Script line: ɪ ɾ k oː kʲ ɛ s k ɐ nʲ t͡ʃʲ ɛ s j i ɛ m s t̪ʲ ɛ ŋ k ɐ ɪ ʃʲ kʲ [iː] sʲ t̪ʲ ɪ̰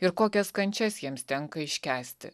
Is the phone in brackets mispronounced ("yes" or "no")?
yes